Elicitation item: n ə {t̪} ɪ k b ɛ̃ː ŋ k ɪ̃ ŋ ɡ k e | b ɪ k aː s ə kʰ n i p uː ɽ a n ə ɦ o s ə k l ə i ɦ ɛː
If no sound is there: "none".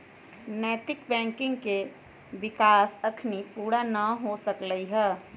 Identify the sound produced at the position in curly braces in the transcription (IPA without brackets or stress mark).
t̪